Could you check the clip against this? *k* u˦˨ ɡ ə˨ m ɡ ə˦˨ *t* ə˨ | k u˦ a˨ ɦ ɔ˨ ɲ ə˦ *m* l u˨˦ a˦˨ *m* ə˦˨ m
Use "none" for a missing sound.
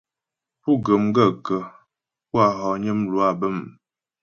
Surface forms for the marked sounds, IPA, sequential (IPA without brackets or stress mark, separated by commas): p, k, m, b